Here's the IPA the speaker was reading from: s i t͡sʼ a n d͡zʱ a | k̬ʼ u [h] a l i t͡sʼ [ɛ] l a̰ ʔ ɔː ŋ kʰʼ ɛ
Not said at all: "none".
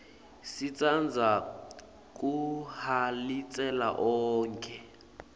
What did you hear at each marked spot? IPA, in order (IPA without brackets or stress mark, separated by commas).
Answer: h, ɛ